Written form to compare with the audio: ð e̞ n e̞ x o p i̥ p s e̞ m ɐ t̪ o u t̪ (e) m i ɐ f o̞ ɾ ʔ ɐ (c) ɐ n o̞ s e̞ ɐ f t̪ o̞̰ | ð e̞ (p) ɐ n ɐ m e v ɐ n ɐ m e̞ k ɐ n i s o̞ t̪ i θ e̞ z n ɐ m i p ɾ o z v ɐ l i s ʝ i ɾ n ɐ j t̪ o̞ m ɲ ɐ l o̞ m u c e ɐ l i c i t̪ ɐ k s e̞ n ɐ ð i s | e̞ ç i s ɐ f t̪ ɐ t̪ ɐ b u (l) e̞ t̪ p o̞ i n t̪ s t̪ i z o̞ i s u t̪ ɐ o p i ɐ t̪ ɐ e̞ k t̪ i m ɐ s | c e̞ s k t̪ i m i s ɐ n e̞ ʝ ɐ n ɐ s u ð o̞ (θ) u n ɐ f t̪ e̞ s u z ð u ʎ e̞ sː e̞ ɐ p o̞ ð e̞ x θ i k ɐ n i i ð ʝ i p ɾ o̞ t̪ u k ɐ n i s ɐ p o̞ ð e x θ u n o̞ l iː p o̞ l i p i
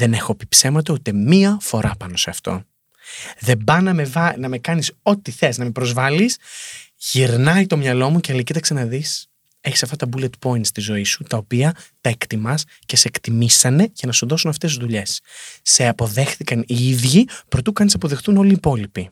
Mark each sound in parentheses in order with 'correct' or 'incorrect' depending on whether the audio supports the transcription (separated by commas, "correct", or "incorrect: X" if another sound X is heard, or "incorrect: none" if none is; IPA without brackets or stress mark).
correct, incorrect: p, incorrect: b, correct, incorrect: s